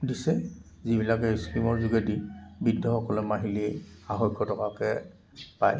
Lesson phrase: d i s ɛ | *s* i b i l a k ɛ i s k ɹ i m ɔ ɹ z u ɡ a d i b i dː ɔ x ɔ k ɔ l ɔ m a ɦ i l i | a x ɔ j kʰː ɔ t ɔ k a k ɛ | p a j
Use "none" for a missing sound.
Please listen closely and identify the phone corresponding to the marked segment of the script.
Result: z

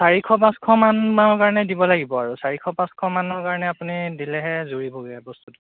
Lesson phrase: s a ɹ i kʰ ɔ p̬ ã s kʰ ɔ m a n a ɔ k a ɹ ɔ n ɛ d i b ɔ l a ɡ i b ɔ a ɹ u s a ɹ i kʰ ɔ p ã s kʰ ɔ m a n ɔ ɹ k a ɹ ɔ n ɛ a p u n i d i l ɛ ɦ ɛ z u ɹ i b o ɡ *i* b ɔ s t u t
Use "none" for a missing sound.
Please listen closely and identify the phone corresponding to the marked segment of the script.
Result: ɛ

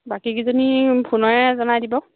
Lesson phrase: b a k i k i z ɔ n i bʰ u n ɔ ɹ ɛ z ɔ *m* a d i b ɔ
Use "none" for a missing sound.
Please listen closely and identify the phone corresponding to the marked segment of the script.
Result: n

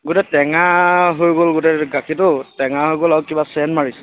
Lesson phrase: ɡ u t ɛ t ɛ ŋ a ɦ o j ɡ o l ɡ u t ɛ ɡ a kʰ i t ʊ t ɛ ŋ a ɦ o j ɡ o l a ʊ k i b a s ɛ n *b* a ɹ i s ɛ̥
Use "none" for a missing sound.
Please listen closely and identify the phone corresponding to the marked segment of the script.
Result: m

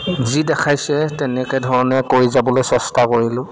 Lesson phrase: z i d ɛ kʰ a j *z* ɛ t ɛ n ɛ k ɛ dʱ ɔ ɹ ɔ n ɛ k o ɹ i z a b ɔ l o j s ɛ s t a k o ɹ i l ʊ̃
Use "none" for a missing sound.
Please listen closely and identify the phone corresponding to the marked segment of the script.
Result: s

